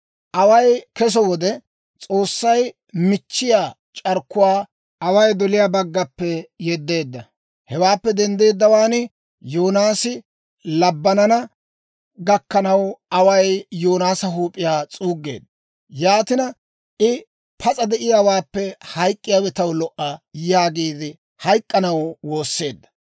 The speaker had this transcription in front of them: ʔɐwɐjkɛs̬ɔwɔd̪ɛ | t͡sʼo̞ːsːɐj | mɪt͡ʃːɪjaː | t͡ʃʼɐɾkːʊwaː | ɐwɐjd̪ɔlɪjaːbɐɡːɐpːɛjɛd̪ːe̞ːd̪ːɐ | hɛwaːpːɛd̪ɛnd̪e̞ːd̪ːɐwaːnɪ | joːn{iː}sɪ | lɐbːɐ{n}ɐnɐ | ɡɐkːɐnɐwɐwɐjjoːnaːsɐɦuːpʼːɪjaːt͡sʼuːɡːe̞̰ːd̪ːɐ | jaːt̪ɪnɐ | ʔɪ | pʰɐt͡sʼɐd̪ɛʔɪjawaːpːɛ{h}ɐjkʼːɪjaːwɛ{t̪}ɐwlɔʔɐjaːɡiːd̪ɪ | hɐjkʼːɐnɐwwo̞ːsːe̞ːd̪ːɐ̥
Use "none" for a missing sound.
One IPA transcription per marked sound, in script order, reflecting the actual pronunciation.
aː, n, h, t̪

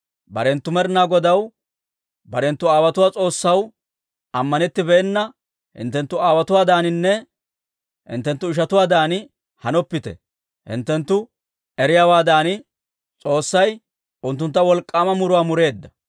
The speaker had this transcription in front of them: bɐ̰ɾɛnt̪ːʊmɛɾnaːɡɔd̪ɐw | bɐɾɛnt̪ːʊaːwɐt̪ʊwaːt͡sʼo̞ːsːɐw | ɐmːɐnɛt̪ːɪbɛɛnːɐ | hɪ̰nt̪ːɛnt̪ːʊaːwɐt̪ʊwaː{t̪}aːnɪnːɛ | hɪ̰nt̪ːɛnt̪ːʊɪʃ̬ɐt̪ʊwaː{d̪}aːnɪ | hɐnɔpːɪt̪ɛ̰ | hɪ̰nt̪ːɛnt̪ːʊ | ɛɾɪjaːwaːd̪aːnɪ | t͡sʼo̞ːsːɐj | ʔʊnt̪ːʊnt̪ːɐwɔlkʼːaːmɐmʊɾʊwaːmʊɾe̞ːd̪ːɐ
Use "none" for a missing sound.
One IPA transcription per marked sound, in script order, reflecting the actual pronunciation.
d̪, d̪

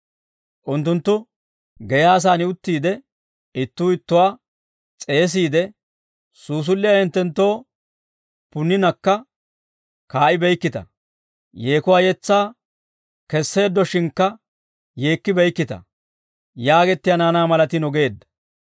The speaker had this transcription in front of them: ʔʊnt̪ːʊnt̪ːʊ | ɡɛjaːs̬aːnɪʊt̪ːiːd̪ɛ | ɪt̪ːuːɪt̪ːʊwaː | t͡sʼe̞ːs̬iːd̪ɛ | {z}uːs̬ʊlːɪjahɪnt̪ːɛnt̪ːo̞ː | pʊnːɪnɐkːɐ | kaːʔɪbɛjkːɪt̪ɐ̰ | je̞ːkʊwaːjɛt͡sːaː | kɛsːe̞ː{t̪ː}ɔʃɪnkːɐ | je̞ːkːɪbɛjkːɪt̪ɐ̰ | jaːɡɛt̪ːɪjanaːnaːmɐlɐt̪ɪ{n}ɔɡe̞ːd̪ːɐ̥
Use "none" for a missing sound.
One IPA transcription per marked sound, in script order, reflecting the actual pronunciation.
s, d̪ː, n

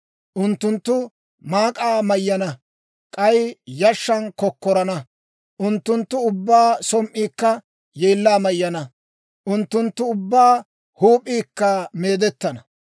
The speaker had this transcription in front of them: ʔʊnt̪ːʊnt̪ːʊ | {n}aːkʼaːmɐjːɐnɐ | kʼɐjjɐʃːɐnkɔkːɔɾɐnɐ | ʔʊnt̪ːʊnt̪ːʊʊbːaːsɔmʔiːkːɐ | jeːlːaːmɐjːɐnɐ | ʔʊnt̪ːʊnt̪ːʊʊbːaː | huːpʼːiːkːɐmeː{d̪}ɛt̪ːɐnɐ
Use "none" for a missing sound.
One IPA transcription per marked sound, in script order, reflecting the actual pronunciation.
m, d̪

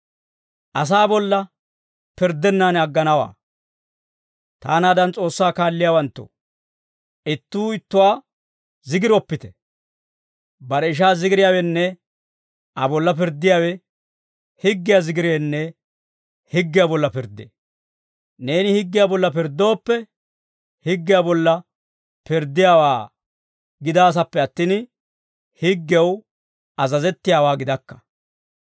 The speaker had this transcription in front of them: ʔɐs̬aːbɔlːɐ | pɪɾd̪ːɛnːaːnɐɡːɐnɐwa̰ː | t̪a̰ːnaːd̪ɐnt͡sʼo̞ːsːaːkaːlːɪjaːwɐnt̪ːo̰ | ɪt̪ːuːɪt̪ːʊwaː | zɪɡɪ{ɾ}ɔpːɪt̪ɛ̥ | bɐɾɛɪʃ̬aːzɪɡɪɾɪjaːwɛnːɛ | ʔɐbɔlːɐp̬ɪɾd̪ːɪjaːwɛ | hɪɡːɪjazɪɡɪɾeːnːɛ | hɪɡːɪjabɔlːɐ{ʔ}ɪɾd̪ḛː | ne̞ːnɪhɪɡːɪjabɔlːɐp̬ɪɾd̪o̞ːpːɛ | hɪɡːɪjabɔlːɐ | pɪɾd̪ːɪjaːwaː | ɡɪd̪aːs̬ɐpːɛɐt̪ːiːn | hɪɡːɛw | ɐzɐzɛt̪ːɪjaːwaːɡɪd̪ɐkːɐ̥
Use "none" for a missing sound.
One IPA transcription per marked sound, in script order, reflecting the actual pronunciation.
ɾ, p

